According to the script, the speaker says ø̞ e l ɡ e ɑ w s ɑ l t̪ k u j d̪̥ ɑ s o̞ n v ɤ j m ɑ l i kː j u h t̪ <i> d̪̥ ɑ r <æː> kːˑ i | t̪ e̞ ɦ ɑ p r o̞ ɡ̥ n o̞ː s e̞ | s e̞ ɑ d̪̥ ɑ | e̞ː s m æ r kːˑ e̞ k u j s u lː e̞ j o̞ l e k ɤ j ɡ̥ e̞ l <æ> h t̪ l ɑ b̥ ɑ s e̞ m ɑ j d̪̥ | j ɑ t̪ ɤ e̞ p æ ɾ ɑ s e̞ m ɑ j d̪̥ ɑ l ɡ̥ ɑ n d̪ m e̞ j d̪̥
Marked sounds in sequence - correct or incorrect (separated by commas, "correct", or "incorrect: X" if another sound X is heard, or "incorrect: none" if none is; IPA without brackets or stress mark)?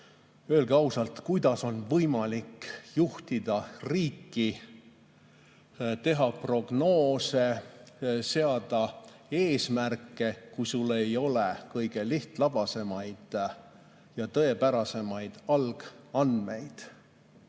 correct, incorrect: iː, incorrect: i